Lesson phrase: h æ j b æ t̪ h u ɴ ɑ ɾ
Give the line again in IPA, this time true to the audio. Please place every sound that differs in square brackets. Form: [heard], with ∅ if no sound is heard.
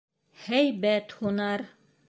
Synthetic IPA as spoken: h æ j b æ t̪ h u [n] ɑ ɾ